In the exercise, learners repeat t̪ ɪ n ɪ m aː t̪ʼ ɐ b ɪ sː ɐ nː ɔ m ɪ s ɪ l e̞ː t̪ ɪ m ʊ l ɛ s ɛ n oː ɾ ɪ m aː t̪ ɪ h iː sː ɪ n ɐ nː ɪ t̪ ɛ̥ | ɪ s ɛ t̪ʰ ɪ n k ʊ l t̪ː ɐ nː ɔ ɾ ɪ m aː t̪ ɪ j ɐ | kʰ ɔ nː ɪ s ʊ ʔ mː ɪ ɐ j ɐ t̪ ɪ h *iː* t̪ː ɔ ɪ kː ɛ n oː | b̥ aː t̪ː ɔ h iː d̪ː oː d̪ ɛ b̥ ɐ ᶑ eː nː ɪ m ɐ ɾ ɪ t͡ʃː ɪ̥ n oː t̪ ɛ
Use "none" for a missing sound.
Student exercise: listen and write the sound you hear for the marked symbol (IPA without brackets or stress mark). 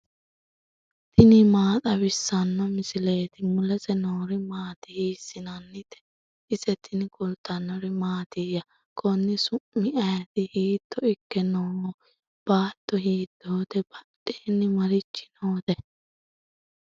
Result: iː